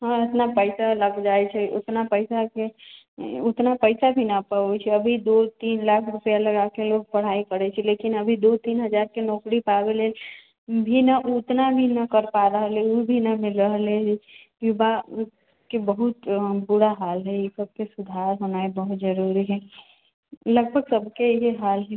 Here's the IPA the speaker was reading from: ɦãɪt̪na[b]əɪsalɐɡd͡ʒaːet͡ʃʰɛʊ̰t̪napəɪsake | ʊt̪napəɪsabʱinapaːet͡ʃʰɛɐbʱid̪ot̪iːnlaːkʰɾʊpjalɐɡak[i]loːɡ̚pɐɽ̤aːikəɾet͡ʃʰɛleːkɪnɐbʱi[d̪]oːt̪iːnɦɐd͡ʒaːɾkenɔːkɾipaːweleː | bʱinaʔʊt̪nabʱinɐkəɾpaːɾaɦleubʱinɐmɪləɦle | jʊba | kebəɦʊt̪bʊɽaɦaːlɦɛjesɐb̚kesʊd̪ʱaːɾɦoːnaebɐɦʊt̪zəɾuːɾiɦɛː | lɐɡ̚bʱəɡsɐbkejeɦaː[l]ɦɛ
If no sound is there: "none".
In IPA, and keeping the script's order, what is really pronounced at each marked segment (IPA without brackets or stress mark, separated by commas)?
p, e, d̪, l